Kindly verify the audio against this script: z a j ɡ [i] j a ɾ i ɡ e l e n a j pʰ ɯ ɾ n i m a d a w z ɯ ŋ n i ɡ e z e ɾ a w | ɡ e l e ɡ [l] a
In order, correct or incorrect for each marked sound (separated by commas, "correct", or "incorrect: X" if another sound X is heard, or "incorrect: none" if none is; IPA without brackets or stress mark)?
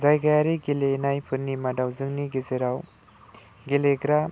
incorrect: a, incorrect: ɾ